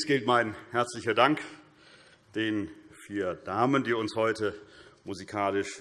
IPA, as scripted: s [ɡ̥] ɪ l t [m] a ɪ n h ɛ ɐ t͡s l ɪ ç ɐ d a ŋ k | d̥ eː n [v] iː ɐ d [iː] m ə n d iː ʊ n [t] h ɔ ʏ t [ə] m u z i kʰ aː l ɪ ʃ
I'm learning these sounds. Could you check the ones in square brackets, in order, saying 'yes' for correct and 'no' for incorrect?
yes, yes, no, no, no, yes

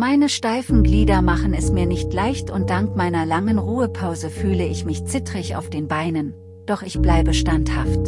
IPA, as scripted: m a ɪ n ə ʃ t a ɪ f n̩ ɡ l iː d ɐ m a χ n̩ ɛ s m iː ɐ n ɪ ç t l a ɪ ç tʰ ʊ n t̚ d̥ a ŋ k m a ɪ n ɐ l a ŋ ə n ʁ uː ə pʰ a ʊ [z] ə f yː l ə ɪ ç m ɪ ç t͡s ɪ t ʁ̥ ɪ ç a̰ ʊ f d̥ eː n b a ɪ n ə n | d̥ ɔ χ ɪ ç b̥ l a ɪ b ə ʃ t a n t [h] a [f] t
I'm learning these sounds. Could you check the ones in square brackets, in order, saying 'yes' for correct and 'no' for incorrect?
yes, yes, yes

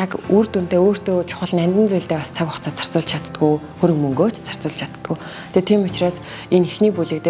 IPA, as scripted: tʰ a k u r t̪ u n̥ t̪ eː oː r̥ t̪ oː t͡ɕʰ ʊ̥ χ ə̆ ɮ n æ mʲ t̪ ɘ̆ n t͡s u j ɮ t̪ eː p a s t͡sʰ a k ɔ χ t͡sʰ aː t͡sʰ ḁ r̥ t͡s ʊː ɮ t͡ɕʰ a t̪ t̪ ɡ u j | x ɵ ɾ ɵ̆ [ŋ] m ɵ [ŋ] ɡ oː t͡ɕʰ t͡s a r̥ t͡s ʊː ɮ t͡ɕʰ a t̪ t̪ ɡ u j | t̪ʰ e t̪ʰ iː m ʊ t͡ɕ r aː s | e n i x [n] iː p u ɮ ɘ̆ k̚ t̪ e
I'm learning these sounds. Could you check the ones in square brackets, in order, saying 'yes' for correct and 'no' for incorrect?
yes, yes, yes

